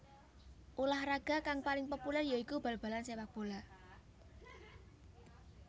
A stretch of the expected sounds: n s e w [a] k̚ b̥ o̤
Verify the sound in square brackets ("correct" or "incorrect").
correct